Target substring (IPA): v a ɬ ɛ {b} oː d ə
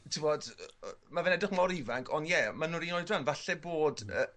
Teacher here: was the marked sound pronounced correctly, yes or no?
yes